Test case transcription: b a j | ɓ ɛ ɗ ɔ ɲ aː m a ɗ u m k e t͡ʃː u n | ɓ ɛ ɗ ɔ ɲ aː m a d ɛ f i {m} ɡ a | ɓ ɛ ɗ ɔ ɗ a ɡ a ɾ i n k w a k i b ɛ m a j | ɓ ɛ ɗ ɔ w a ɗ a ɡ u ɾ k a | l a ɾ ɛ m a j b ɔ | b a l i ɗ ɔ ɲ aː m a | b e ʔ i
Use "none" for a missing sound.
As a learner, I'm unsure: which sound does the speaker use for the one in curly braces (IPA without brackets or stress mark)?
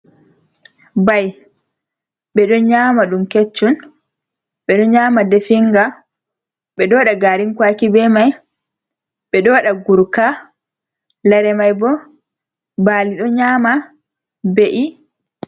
ŋ